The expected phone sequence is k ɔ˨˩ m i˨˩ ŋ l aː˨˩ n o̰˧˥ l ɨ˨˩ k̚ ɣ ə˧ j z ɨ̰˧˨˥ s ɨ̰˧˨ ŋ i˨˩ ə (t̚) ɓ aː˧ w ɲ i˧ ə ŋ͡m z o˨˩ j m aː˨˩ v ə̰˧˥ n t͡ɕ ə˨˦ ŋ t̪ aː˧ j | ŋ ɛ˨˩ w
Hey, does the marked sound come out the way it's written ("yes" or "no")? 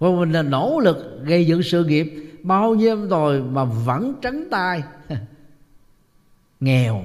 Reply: no